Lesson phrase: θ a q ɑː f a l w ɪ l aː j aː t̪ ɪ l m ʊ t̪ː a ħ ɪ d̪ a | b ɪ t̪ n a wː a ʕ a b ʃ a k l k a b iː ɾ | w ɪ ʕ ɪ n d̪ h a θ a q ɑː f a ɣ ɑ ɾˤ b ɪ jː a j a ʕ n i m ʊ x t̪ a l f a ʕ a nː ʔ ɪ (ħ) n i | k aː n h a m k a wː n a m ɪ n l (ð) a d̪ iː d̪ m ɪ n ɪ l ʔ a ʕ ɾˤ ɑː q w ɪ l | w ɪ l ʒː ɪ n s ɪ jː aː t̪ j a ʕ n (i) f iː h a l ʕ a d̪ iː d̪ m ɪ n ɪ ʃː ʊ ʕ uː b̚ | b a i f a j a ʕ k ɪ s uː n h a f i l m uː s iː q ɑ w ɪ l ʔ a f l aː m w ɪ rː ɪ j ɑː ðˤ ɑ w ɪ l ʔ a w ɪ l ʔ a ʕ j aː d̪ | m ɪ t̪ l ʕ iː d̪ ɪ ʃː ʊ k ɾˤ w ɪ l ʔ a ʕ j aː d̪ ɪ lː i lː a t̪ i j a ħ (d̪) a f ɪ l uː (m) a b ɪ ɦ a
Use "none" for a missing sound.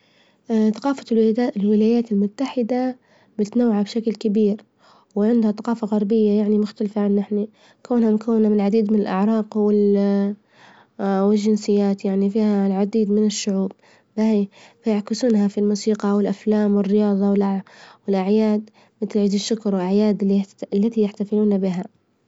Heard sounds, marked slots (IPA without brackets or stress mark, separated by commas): ħ, ʕ, i, t̪, n